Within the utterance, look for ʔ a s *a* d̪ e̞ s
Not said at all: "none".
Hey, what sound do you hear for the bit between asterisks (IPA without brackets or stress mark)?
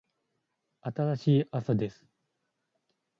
a